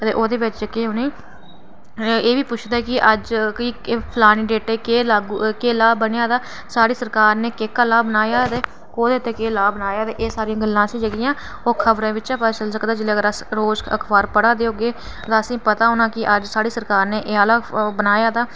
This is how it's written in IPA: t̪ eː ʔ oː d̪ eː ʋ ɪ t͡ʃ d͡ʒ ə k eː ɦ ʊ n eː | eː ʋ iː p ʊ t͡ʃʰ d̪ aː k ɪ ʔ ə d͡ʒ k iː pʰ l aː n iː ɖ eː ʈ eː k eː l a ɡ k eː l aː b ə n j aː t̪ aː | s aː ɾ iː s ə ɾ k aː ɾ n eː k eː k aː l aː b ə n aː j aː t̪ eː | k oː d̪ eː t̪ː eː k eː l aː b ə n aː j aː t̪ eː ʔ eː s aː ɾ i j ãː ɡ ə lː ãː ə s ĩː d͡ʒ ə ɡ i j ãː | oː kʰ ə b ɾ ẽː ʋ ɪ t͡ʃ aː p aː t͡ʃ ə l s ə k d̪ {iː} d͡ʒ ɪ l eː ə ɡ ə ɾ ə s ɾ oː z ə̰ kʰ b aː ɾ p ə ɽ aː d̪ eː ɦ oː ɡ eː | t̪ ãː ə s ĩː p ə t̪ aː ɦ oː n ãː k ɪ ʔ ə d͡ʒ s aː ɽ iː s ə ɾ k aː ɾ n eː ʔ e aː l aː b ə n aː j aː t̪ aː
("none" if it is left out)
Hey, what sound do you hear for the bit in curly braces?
aː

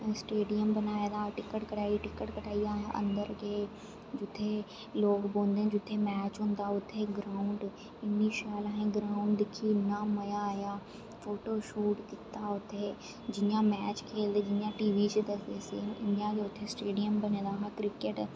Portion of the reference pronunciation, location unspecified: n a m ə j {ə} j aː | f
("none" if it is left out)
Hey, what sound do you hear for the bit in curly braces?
a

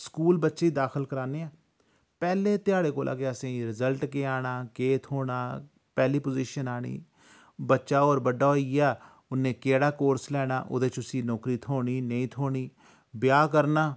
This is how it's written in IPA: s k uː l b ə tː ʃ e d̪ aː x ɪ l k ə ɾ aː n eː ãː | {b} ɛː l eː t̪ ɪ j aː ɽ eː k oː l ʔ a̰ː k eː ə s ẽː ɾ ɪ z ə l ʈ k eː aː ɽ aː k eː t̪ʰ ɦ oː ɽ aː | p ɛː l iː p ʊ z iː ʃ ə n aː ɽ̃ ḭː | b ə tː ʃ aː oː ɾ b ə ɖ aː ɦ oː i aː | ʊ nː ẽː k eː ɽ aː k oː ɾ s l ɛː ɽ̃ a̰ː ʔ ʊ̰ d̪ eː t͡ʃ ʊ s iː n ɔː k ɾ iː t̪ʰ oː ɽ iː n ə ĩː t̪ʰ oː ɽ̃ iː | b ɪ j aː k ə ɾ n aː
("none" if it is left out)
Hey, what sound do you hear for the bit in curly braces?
p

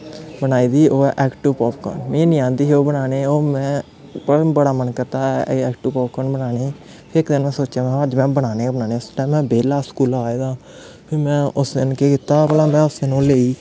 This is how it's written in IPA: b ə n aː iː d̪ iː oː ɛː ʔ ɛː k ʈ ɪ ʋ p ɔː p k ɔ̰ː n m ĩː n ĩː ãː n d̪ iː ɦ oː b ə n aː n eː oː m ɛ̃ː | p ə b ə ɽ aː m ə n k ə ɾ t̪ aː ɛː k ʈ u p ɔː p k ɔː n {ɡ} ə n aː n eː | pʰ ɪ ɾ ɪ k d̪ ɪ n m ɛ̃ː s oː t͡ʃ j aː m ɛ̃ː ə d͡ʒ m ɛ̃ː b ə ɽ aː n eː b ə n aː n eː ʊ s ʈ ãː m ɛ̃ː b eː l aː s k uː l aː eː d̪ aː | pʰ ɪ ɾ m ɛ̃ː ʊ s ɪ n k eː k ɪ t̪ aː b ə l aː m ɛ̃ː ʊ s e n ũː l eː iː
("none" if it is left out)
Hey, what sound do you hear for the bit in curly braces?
b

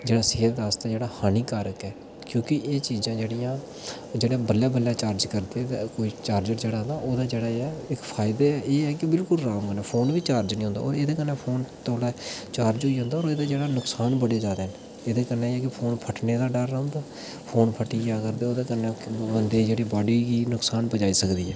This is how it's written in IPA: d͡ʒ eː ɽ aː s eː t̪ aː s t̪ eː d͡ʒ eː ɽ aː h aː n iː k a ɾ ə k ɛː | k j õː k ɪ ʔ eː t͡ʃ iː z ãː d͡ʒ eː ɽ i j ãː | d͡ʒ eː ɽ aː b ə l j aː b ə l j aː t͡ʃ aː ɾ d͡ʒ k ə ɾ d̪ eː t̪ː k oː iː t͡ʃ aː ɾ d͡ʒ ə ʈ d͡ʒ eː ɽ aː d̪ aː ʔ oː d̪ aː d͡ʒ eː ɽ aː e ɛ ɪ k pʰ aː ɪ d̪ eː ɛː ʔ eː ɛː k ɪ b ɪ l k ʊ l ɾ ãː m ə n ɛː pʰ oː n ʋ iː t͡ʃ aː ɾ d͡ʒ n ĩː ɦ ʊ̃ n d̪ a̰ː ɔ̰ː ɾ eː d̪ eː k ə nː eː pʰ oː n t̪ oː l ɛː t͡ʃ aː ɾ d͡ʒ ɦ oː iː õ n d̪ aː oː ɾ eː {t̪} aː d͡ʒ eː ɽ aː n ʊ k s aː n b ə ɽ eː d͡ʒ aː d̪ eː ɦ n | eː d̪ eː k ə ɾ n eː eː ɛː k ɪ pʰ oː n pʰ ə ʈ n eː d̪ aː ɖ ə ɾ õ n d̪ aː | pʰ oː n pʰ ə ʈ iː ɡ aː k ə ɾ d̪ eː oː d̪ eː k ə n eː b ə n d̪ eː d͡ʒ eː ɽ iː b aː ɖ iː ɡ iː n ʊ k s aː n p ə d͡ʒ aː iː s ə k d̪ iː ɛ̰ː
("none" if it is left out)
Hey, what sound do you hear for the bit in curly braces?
d̪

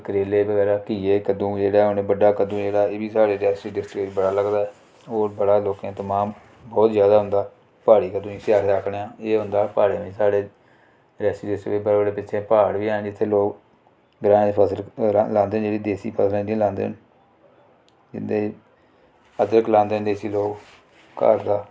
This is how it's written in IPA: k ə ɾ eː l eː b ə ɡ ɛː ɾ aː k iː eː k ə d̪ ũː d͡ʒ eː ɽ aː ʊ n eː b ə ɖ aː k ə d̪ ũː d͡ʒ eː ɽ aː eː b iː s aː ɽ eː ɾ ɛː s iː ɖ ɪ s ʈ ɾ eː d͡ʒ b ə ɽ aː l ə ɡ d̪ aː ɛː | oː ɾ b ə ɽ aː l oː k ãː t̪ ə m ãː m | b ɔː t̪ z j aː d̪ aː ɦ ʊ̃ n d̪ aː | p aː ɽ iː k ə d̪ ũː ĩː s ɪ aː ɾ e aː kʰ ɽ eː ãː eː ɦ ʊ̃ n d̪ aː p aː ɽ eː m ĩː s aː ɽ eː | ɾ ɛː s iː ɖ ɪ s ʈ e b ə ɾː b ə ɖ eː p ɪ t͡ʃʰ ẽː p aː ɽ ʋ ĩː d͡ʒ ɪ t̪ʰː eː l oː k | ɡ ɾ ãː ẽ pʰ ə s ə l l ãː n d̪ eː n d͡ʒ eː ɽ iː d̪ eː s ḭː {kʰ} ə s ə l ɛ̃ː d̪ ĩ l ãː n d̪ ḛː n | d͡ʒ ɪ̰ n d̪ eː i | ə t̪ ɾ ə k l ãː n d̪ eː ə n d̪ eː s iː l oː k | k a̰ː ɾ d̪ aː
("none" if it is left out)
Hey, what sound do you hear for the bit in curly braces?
pʰ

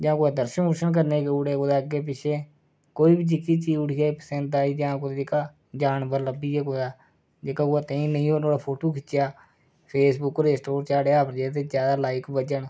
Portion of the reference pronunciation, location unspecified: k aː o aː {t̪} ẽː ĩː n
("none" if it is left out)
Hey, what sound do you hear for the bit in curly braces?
t̪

